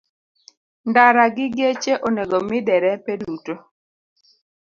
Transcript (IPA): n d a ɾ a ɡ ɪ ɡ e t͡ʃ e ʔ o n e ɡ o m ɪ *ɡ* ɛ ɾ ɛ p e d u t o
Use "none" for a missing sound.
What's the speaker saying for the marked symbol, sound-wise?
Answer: d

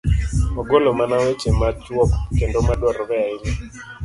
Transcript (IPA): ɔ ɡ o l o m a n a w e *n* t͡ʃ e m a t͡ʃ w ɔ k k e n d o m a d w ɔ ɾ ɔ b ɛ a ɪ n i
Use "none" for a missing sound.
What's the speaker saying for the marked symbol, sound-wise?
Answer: none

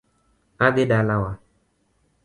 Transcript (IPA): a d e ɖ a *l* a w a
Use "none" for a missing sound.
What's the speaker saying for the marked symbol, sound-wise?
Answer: l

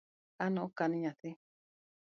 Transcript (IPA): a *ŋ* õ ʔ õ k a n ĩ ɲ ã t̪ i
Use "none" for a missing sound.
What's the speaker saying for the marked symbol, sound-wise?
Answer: n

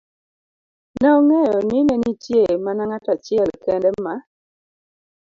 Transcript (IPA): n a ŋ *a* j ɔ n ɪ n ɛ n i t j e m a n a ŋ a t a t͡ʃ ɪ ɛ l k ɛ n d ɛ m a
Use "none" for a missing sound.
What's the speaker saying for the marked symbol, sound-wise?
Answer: ɛ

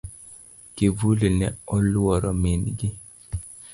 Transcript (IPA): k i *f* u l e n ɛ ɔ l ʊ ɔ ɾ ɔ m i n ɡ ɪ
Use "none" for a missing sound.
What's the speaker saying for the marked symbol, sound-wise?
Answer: v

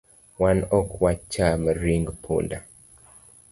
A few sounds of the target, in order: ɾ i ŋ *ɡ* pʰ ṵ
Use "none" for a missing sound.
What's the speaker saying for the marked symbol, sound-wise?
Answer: ɡ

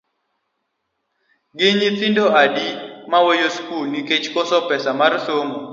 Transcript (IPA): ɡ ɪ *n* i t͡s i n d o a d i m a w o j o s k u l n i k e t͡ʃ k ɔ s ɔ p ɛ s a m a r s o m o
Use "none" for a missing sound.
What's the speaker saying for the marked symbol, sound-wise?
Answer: ɲ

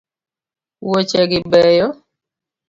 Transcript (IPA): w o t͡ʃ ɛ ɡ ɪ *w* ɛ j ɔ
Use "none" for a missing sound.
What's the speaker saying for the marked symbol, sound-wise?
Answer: b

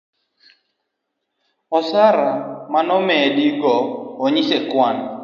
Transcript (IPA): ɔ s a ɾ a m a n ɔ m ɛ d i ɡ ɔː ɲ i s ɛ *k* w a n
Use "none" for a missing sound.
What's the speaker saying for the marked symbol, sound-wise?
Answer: k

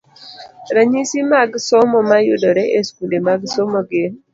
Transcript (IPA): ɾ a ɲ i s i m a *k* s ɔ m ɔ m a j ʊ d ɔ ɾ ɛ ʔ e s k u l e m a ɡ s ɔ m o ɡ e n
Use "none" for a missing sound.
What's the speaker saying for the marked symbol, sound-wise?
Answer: ɡ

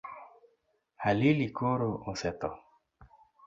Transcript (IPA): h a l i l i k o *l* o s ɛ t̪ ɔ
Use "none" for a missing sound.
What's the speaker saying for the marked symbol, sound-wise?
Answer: ɾ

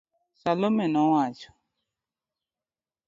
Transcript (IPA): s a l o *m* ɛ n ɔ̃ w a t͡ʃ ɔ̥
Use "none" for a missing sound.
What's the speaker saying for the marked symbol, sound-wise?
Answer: m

